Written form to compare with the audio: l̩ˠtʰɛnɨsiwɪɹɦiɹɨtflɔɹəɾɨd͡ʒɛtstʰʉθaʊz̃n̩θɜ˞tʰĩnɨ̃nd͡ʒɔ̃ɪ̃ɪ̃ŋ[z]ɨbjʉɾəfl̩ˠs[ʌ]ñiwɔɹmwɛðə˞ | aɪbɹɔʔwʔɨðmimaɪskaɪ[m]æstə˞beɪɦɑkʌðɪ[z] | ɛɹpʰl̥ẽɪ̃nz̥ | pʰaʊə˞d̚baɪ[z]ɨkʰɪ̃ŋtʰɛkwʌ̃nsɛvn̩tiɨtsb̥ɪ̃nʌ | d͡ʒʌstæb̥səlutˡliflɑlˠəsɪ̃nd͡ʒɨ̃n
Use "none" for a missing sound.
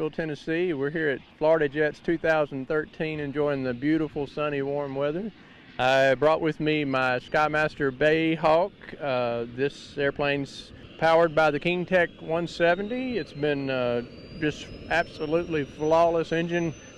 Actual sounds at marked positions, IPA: ð, ʌ, m, s, ð

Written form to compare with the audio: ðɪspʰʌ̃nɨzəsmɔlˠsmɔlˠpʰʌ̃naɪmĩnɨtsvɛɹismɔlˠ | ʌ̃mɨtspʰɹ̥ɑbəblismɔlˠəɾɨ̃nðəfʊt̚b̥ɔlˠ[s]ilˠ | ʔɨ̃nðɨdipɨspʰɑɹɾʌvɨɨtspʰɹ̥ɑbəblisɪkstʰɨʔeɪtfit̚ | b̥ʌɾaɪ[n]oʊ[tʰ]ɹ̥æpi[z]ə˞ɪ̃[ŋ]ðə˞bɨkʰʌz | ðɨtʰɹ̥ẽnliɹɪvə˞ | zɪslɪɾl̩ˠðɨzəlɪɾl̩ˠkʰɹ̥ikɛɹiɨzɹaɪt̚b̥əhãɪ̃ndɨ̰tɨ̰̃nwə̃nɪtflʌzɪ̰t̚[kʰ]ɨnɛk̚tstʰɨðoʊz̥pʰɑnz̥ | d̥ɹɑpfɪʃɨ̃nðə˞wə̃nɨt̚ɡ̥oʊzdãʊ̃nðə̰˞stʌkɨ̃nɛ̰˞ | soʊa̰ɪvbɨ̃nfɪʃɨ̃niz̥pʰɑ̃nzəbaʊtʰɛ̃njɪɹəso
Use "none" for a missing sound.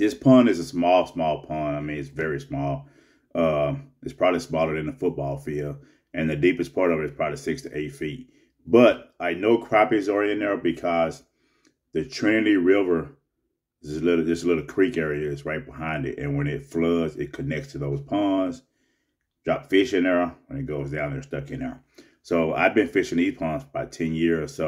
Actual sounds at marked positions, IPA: f, n, kʰ, z, n, kʰ

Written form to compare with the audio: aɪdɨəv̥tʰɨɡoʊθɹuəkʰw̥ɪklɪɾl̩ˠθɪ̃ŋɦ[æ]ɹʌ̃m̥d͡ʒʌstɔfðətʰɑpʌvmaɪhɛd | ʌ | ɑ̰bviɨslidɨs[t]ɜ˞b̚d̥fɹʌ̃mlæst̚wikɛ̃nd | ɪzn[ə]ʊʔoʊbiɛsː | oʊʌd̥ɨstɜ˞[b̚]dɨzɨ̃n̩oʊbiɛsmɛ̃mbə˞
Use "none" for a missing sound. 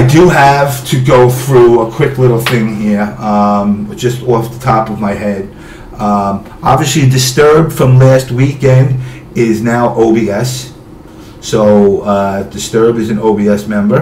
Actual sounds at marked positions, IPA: i, t, a, b̚

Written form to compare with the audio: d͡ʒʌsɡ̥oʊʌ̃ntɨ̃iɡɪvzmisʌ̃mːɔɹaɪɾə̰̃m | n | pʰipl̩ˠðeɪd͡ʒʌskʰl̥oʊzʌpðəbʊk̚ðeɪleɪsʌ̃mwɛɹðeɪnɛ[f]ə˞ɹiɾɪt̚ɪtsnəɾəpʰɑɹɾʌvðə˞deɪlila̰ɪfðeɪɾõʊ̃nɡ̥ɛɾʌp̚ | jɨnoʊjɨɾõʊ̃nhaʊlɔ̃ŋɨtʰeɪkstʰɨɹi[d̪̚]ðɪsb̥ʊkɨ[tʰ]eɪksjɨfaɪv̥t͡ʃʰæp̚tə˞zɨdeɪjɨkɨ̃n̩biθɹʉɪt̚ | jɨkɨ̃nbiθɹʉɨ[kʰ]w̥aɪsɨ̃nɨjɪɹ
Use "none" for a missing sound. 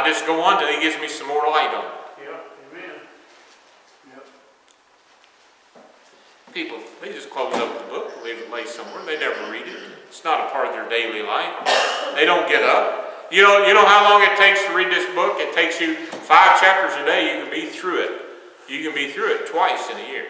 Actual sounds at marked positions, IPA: v, d̪̚, tʰ, tʰ

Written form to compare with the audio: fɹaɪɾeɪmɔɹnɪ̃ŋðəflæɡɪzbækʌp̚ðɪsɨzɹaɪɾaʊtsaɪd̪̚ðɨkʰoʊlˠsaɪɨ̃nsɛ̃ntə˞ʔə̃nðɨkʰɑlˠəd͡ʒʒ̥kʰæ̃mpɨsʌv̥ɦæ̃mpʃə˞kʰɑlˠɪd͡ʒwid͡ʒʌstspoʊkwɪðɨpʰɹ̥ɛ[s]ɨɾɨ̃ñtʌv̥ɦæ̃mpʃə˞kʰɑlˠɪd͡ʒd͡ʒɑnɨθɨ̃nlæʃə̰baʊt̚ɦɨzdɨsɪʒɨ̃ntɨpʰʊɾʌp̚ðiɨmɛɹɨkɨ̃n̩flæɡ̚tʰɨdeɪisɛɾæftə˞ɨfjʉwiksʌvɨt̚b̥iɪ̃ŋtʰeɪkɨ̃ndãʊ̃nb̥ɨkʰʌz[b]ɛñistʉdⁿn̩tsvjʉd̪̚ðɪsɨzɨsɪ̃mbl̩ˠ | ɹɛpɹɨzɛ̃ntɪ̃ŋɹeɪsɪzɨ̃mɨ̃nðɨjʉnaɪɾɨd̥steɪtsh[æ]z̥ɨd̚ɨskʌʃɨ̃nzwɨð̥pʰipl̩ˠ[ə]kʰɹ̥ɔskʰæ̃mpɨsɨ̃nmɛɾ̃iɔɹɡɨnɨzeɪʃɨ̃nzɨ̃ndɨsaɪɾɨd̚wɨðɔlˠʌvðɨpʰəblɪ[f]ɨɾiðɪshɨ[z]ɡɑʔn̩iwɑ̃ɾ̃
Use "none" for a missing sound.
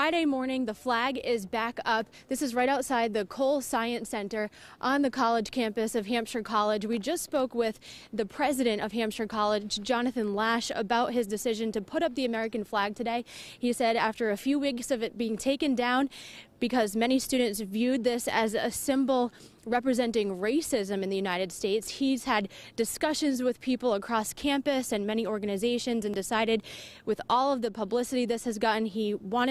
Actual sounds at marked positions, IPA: z, m, i, ə, s, z

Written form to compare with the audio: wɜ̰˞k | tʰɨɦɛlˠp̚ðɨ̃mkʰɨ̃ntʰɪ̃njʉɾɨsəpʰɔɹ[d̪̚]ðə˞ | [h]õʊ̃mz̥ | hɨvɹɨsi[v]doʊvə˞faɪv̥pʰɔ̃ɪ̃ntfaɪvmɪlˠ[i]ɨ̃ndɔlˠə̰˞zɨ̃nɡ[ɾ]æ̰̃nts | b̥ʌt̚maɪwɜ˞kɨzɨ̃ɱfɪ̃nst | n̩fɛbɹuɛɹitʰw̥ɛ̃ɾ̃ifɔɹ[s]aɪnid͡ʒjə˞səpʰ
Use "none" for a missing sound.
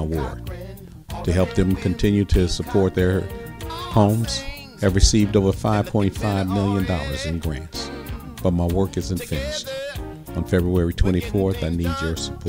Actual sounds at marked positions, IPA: t̪̚, h, v, j, ɹ, θ

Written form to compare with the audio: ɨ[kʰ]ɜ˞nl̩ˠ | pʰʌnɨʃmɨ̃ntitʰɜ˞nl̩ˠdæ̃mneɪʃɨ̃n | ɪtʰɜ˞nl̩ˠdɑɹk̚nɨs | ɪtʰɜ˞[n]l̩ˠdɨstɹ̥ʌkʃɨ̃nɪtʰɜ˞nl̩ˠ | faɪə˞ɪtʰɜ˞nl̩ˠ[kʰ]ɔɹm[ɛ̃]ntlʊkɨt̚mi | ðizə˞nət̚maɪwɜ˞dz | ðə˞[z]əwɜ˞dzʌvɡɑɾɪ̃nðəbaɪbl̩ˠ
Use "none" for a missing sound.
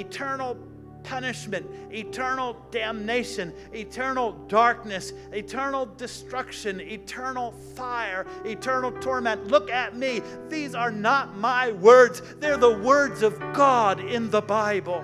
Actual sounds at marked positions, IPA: tʰ, n, tʰ, ɛ̃, ð

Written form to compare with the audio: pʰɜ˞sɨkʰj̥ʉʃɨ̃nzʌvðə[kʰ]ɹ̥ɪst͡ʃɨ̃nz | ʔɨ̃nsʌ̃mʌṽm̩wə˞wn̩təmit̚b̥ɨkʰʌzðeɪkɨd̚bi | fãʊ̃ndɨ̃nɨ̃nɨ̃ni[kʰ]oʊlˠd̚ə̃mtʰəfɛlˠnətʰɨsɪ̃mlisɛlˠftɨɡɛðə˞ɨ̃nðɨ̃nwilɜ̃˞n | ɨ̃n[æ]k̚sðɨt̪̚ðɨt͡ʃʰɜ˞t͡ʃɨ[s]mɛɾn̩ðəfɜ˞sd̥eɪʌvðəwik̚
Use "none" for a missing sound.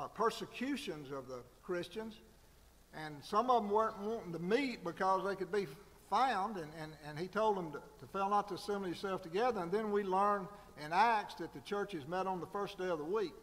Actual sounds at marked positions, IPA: kʰ, tʰ, æ, z

